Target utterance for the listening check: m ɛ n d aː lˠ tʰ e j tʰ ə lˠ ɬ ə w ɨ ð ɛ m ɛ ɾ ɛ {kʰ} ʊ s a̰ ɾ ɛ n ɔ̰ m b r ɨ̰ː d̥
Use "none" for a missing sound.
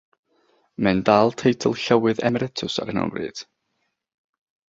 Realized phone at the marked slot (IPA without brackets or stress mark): tʰ